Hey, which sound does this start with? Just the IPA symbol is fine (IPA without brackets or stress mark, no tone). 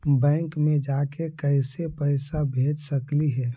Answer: b